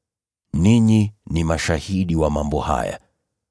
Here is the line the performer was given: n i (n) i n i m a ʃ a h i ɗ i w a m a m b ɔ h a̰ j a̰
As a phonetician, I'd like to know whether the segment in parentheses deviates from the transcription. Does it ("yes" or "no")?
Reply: yes